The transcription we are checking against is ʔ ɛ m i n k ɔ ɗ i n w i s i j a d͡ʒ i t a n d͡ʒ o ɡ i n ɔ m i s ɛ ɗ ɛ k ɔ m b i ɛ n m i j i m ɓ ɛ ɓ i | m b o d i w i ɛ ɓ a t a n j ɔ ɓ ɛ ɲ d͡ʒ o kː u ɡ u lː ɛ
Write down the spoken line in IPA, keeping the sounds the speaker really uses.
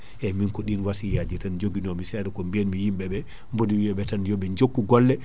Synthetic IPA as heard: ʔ ɛ m i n k ɔ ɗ i n w a s i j a d͡ʒ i t a n d͡ʒ o ɡ i n ɔ m i s ɛ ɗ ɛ k ɔ m b i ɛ n m i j i m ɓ ɛ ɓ ɛ | m b o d i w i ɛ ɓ ɛ t a n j ɔ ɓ ɛ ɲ d͡ʒ o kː u ɡ ɔ lː ɛ